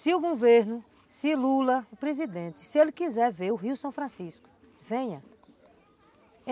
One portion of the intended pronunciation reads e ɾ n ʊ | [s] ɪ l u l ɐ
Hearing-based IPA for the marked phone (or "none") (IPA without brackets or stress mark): s